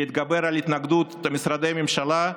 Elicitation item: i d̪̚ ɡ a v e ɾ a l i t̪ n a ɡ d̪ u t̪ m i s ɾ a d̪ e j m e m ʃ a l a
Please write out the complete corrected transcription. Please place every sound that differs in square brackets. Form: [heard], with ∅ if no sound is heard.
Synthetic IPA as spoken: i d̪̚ ɡ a [b] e ɾ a l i t̪ n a ɡ d̪ u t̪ m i s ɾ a d̪ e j m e m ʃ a l a